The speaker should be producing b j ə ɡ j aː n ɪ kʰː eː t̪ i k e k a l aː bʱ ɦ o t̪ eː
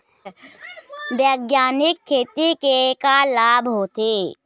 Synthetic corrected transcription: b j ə ɡ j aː n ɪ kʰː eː t̪ i k e k a l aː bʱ ɦ o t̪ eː